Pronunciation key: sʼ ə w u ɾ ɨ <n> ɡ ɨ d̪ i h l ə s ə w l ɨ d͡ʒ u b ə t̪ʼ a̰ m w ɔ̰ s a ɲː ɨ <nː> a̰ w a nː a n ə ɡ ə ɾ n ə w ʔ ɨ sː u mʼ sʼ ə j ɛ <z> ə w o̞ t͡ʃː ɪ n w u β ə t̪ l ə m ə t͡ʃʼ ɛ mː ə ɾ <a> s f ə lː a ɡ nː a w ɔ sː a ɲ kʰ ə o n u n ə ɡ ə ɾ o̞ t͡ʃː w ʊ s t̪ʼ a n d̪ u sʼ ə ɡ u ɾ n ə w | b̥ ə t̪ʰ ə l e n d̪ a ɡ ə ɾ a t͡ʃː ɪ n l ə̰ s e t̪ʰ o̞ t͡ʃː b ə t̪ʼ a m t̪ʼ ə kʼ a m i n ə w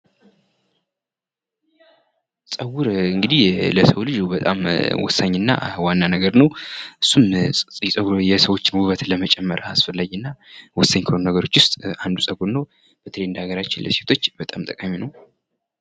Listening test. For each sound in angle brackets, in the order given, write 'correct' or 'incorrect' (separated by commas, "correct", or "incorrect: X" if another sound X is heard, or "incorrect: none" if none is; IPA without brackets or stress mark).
incorrect: ŋ, correct, incorrect: s, correct